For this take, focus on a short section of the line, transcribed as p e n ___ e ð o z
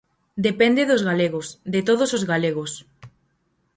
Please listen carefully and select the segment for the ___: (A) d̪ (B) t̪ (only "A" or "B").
A